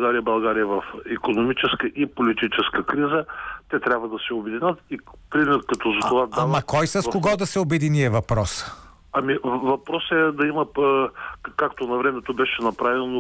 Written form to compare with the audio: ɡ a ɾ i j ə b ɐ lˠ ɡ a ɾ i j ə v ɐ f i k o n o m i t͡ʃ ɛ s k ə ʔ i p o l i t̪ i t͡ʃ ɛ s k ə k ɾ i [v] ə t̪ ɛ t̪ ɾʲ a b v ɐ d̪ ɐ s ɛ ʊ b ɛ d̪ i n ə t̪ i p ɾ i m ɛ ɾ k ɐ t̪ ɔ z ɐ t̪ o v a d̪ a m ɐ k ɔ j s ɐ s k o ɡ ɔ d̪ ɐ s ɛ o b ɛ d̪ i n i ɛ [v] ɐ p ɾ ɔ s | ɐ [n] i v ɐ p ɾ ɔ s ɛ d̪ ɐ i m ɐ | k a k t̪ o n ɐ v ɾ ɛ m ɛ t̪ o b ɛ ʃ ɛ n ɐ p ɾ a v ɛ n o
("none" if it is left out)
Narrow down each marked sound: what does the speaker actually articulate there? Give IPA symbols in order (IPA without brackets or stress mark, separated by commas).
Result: z, v, m